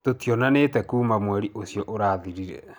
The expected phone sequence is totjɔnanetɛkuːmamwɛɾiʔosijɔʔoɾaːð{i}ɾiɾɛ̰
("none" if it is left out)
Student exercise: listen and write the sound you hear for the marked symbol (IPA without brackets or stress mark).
i